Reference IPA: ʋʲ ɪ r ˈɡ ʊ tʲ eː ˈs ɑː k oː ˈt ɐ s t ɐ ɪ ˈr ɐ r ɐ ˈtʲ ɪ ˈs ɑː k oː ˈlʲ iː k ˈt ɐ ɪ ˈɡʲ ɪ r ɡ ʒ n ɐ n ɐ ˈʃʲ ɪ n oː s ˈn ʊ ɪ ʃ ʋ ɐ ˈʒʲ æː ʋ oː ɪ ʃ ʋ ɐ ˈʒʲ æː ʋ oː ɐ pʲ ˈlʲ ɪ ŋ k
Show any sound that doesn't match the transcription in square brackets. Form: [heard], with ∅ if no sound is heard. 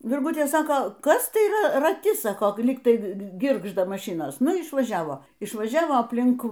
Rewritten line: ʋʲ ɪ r ˈɡ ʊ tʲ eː ˈs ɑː k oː [ˈk] ɐ s t ɐ ɪ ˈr ɐ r ɐ ˈtʲ ɪ ˈs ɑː k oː ˈlʲ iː k ˈt ɐ ɪ ˈɡʲ ɪ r ɡ ʒ [d] ɐ [m] ɐ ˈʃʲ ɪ n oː s ˈn ʊ ɪ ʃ ʋ ɐ ˈʒʲ æː ʋ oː ɪ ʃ ʋ ɐ ˈʒʲ æː ʋ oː ɐ pʲ ˈlʲ ɪ ŋ k

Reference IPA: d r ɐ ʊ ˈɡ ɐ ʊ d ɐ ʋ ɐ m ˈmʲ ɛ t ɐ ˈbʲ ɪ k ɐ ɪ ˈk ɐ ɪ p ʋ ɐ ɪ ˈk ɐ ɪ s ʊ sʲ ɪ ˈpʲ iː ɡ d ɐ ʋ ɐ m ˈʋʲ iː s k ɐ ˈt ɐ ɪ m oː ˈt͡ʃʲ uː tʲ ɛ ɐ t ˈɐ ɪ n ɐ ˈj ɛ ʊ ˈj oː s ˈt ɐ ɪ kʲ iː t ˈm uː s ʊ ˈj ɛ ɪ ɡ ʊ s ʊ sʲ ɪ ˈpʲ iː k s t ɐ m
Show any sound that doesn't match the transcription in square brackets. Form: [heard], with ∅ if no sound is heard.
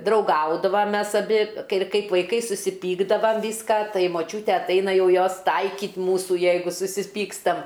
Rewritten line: d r ɐ ʊ ˈɡ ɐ ʊ d ɐ ʋ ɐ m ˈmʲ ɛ [s] ɐ ˈbʲ ɪ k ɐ ɪ ˈk ɐ ɪ p ʋ ɐ ɪ ˈk ɐ ɪ s ʊ sʲ ɪ ˈpʲ iː ɡ d ɐ ʋ ɐ m ˈʋʲ iː s k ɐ ˈt ɐ ɪ m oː ˈt͡ʃʲ uː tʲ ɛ ɐ t ˈɐ ɪ n ɐ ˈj ɛ ʊ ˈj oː s ˈt ɐ ɪ kʲ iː t ˈm uː s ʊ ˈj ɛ ɪ ɡ ʊ s ʊ sʲ ɪ ˈpʲ iː k s t ɐ m

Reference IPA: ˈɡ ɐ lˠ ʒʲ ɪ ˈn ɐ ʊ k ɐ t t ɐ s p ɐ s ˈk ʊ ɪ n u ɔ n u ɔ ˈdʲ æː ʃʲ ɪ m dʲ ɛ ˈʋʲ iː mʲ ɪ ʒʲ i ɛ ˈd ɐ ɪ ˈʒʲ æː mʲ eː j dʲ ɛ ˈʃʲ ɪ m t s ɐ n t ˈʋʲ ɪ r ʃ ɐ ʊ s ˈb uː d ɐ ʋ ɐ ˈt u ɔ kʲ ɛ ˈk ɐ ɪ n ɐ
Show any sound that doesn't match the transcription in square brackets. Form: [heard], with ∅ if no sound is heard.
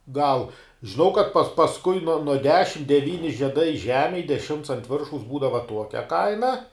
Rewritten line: ˈɡ ɐ lˠ ʒʲ ɪ ˈn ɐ ʊ k ɐ t [p] ɐ s p ɐ s ˈk ʊ ɪ n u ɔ n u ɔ ˈdʲ æː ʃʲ ɪ m dʲ ɛ ˈʋʲ iː [nʲ] ɪ ʒʲ i ɛ ˈd ɐ ɪ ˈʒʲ æː mʲ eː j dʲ ɛ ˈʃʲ ɪ m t s ɐ n t ˈʋʲ ɪ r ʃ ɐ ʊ s ˈb uː d ɐ ʋ ɐ ˈt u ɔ kʲ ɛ ˈk ɐ ɪ n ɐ

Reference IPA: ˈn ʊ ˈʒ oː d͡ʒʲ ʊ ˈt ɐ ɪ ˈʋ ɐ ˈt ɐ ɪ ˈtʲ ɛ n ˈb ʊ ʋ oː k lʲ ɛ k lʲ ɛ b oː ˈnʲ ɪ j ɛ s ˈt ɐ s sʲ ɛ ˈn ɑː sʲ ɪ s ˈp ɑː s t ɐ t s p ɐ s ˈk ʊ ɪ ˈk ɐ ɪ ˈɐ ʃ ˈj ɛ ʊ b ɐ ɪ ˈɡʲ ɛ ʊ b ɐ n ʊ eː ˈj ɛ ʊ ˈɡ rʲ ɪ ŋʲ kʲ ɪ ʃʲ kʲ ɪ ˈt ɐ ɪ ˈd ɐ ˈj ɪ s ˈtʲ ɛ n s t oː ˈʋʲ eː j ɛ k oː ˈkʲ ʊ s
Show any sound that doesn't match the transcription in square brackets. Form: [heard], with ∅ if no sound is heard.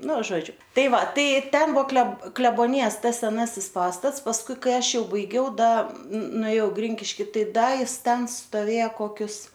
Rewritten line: ˈn ʊ ˈʒ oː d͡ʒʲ ʊ ˈt ɐ ɪ ˈʋ ɐ ˈt ɐ ɪ ˈtʲ ɛ n ˈb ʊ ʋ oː k lʲ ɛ k lʲ ɛ b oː ˈnʲ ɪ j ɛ s ˈt ɐ s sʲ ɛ ˈn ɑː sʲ ɪ s ˈp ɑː s t ɐ t s p ɐ s ˈk ʊ ɪ ˈk ɐ ɪ ˈɐ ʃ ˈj ɛ ʊ b ɐ ɪ ˈɡʲ ɛ ʊ [d] ɐ n ʊ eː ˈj ɛ ʊ ˈɡ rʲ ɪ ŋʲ kʲ ɪ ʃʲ kʲ ɪ ˈt ɐ ɪ ˈd ɐ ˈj ɪ s ˈtʲ ɛ n s t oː ˈʋʲ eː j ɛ k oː ˈkʲ ʊ s

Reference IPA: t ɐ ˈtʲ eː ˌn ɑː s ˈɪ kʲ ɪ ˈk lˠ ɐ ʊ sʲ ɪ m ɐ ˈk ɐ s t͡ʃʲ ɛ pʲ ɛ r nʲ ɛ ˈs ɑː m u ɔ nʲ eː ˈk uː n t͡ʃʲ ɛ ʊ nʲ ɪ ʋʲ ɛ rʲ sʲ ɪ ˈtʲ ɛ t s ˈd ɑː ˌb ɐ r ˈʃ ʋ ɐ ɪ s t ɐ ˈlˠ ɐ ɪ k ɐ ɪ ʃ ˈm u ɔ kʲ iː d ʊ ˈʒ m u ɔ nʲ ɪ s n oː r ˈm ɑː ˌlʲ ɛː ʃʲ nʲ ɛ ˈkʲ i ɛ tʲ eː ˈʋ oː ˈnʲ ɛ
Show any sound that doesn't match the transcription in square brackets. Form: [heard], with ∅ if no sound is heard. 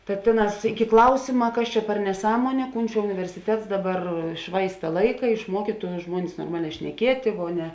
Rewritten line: t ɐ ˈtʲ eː ˌn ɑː s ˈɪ kʲ ɪ ˈk lˠ ɐ ʊ sʲ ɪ m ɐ ˈk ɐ s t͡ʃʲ ɛ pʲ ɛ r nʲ ɛ ˈs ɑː m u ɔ nʲ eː ˈk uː n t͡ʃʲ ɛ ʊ nʲ ɪ ʋʲ ɛ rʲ sʲ ɪ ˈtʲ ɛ t s ˈd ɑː ˌb ɐ r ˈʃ ʋ ɐ ɪ s t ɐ ˈlˠ ɐ ɪ k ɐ ɪ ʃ ˈm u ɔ kʲ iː [t] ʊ ˈʒ m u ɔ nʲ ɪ s n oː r ˈm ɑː ˌlʲ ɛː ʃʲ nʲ ɛ ˈkʲ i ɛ tʲ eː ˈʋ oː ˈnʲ ɛ

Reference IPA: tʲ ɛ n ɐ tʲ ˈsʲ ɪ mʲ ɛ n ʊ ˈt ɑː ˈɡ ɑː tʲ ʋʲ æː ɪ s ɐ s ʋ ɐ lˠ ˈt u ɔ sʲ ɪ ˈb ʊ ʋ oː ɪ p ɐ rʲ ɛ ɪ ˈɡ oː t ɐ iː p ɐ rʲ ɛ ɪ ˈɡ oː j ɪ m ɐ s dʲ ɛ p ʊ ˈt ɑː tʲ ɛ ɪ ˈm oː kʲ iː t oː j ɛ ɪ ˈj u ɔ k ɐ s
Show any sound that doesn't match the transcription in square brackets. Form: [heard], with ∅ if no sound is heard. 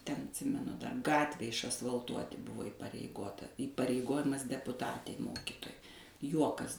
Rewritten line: tʲ ɛ n ɐ tʲ ˈsʲ ɪ mʲ ɛ n ʊ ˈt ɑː ˈɡ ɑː tʲ ʋʲ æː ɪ [ʃ] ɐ s ʋ ɐ lˠ ˈt u ɔ [tʲ] ɪ ˈb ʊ ʋ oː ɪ p ɐ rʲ ɛ ɪ ˈɡ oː t ɐ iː p ɐ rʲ ɛ ɪ ˈɡ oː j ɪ m ɐ s dʲ ɛ p ʊ ˈt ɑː tʲ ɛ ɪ ˈm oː kʲ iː t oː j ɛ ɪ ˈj u ɔ k ɐ s

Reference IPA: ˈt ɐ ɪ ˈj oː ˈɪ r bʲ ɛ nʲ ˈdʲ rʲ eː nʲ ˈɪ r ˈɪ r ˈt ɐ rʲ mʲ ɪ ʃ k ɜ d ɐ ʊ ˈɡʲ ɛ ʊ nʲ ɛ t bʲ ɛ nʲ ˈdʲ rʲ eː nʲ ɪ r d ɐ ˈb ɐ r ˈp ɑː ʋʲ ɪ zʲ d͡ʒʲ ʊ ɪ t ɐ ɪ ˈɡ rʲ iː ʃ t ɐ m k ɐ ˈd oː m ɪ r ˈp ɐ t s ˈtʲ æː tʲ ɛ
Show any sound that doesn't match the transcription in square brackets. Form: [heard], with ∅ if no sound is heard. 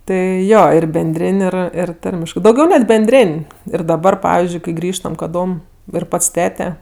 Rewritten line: ˈt ɐ ɪ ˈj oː ˈɪ r bʲ ɛ nʲ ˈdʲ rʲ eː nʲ ˈɪ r ˈɪ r ˈt ɐ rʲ mʲ ɪ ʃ k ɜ d ɐ ʊ ˈɡʲ ɛ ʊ nʲ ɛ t bʲ ɛ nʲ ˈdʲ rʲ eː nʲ ɪ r d ɐ ˈb ɐ r ˈp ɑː ʋʲ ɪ zʲ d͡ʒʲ ʊ ɪ [k] ɐ ɪ ˈɡ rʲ iː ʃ t ɐ m k ɐ ˈd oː m ɪ r ˈp ɐ t s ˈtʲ æː tʲ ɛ

